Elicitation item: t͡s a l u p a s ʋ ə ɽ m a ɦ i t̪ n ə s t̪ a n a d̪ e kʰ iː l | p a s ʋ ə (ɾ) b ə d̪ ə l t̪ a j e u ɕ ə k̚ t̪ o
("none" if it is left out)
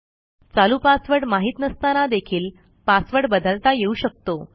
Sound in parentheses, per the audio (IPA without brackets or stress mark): ɽ